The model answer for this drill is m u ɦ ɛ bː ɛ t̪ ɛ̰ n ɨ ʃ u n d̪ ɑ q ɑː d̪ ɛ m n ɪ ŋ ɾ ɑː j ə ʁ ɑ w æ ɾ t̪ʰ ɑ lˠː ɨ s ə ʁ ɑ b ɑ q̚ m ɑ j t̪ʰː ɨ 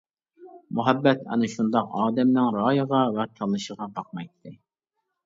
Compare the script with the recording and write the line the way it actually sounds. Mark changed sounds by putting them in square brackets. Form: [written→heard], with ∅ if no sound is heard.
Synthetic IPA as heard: m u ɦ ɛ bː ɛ t̪ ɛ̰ n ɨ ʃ u n d̪ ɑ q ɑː d̪ ɛ m n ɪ ŋ ɾ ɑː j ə ʁ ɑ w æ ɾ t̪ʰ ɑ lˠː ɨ [s→ʃ] ə ʁ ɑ b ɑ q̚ m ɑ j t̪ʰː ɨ